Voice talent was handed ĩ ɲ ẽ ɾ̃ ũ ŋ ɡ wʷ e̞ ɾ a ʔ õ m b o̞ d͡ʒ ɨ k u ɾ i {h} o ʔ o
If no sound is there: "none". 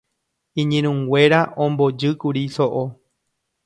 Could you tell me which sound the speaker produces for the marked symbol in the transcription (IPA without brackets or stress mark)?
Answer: s